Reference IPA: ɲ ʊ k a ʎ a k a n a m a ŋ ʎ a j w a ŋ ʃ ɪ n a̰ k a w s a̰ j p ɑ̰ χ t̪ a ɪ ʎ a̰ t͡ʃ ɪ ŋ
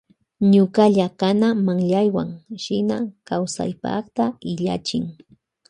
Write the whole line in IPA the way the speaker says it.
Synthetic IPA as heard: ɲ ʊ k a ʎ a k a n a m a ŋ ʎ a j w a ŋ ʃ ɪ n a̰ k a w s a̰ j p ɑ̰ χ t̪ a ɪ ʎ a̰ t͡ʃ ɪ ŋ